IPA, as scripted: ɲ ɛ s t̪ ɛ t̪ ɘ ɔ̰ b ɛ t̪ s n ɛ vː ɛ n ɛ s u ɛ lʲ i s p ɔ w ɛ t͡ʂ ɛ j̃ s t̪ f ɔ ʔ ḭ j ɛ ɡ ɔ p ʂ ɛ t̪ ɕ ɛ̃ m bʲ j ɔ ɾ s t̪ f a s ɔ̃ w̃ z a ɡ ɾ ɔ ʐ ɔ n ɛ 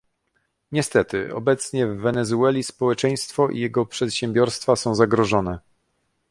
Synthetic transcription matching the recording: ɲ ɛ s t̪ ɛ t̪ ɘ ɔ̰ b ɛ t̪ s ɲ ɛ vː ɛ n ɛ z u ɛ lʲ i s p ɔ w ɛ t͡ʂ ɛ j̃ s t̪ f ɔ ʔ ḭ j ɛ ɡ ɔ p ʂ ɛ t̪ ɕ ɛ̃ m bʲ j ɔ ɾ s t̪ f a s ɔ̃ w̃ z a ɡ ɾ ɔ ʐ ɔ n ɛ

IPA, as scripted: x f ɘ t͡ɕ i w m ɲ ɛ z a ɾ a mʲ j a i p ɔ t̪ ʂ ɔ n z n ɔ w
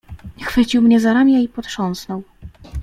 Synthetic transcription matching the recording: x f ɘ t͡ɕ i w m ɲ ɛ z a ɾ a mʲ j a i p ɔ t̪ ʂ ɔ n s n ɔ w

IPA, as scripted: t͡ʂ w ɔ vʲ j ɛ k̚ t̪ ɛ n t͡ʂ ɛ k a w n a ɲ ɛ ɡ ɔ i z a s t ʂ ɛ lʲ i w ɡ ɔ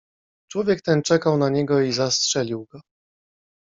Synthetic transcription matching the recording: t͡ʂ w ɔ vʲ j ɛ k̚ t̪ ɛ n t͡ʂ ɛ k a w n a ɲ ɛ ɡ ɔ i z a s t ʂ ɛ lʲ i w ɡ ɔ

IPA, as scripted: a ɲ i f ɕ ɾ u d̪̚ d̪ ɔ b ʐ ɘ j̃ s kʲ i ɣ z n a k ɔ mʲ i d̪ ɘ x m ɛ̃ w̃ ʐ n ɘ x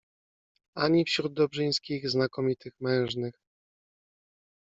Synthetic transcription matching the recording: a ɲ i f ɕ ɾ u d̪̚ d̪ ɔ b ʐ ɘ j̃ s kʲ i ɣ z n a k ɔ mʲ i t̪ ɘ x m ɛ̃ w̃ ʐ n ɘ x

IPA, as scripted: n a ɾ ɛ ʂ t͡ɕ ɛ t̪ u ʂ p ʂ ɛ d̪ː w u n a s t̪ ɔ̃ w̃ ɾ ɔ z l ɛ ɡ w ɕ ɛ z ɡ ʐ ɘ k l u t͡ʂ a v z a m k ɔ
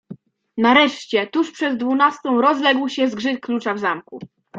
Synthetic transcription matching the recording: n a ɾ ɛ ʂ t͡ɕ ɛ t̪ u ʂ p ʂ ɛ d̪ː v u n a s t̪ ɔ̃ w̃ ɾ ɔ z l ɛ ɡ w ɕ ɛ z ɡ ʐ ɘ k l u t͡ʂ a v z a m k u

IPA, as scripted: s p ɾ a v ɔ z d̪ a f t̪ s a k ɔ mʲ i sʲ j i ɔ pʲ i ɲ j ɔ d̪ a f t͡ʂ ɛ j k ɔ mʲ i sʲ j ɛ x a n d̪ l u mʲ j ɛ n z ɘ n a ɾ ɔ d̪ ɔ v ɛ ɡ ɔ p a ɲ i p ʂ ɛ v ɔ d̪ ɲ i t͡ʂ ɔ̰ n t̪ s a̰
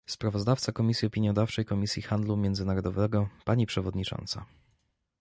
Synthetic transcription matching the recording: s p ɾ a v ɔ z d̪ a f t̪ s a k ɔ mʲ i sʲ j i ɔ pʲ i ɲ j ɔ d̪ a f t͡ʂ ɛ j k ɔ mʲ i sʲ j i x a n d̪ l u mʲ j ɛ n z ɘ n a ɾ ɔ d̪ ɔ v ɛ ɡ ɔ p a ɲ i p ʂ ɛ v ɔ d̪ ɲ i t͡ʂ ɔ̰ n t̪ s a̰

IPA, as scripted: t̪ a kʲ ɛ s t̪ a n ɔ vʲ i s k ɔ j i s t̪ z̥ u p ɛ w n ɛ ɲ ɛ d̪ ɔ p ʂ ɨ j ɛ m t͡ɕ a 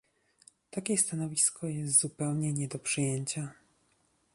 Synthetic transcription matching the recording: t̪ a kʲ ɛ s t̪ a n ɔ vʲ i s k ɔ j ɛ s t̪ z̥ u p ɛ w ɲ ɛ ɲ ɛ d̪ ɔ p ʂ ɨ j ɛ ɲ t͡ɕ a

